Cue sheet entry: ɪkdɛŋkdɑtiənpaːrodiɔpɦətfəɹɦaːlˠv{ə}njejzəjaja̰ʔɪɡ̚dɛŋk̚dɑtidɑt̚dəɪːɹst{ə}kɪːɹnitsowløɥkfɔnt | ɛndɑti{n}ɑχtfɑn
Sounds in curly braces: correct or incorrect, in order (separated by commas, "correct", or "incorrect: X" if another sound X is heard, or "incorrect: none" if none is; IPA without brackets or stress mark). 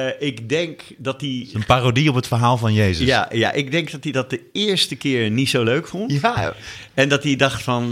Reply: incorrect: ɑ, correct, incorrect: d